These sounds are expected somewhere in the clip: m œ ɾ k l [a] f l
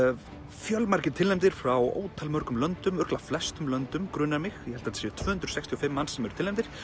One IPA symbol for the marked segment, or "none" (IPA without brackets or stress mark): a